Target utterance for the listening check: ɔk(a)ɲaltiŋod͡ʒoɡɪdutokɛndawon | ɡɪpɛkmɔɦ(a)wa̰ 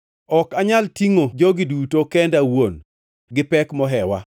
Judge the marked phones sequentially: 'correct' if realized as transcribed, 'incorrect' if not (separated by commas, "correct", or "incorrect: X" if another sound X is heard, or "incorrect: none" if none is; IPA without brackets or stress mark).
correct, incorrect: ɛ